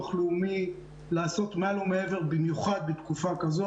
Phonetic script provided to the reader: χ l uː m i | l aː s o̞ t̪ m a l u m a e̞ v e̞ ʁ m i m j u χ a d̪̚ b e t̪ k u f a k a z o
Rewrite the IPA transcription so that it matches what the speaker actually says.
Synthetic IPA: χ l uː m i | l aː s o̞ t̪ m a l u m e e̞ v e̞ ʁ b i m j u χ a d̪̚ b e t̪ k u f a k a z o